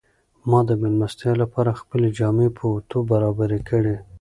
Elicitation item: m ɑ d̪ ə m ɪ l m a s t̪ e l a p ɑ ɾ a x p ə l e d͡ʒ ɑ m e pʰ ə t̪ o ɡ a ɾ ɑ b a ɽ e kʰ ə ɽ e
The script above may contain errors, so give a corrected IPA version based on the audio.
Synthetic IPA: m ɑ d̪ ə m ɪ l m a s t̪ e l a p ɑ ɾ a x p ə l e d͡ʒ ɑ m e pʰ ə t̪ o b a ɾ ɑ b a ɾ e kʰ ə ɽ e